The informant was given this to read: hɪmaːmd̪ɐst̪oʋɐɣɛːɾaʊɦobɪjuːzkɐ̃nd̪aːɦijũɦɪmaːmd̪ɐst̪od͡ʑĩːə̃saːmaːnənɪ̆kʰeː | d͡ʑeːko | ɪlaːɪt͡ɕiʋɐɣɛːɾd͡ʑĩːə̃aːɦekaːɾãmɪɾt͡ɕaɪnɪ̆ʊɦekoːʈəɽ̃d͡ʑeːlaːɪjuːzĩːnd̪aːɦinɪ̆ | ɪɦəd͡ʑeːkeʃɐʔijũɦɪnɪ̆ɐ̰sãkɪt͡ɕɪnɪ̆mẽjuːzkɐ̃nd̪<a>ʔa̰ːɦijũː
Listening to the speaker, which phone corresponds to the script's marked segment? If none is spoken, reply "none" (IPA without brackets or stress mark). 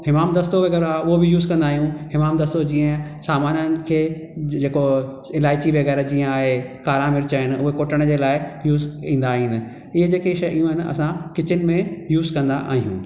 a